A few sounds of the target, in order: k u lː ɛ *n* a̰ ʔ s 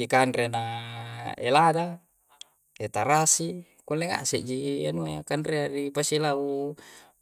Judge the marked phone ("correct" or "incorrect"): incorrect